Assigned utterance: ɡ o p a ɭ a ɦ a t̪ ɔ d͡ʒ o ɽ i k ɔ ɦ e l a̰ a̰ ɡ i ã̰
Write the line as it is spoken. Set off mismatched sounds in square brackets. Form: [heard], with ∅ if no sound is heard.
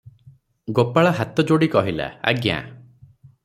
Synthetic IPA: ɡ o p a ɭ a ɦ a t̪ ɔ d͡ʒ o ɽ i k ɔ ɦ [i] l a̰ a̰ ɡ [j] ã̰